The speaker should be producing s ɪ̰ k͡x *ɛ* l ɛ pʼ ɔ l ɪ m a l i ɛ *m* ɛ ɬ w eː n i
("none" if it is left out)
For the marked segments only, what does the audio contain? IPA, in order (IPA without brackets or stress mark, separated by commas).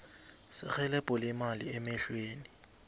ɛ, m